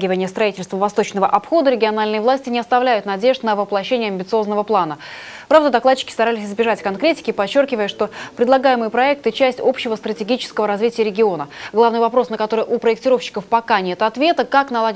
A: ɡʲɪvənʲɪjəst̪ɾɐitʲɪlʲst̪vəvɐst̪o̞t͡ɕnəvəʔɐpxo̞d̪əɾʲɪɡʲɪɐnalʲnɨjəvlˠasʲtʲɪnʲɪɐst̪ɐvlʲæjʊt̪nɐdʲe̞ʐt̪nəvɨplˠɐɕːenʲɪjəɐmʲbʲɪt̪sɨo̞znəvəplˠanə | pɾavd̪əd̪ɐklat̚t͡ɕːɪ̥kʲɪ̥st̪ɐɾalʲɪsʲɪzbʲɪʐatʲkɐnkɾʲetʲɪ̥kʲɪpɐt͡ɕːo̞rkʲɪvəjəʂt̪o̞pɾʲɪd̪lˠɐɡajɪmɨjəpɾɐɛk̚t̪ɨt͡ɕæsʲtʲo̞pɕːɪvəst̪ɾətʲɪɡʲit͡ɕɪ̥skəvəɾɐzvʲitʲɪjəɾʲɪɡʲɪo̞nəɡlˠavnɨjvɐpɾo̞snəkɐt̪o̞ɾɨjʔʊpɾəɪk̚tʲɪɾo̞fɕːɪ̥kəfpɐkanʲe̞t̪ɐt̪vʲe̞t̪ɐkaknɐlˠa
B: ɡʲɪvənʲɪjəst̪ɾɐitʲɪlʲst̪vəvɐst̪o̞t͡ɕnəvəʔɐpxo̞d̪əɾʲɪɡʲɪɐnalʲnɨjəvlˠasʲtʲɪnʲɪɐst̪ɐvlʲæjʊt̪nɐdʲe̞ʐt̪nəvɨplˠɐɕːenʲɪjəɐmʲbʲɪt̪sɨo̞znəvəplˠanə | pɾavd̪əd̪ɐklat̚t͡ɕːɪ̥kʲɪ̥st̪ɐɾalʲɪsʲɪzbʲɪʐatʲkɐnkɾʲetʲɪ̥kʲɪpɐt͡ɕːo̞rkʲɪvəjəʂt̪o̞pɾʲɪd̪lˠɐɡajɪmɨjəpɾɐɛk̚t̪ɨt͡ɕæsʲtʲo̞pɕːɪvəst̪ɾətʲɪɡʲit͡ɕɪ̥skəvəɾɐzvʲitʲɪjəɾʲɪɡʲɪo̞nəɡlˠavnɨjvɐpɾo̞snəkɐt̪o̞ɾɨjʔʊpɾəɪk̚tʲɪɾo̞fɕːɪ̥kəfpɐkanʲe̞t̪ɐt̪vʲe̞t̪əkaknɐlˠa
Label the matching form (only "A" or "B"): B